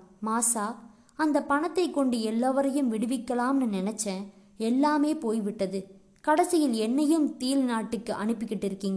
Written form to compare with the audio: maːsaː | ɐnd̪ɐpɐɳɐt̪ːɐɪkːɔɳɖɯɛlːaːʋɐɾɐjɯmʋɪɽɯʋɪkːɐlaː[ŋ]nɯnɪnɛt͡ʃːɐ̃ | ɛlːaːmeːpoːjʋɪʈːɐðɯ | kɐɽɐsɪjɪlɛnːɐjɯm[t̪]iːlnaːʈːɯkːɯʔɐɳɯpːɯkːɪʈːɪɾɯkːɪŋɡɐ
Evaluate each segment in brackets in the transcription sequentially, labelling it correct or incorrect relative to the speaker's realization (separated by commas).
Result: incorrect, correct